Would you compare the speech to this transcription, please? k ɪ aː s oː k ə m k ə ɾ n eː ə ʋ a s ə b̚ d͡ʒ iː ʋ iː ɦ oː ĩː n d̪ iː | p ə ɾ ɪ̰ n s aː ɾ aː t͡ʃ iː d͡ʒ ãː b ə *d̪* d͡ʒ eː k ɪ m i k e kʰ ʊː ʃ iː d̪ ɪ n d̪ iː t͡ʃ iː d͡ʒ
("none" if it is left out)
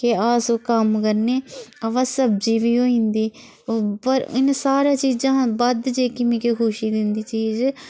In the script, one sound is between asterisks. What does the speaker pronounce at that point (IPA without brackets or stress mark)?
d̪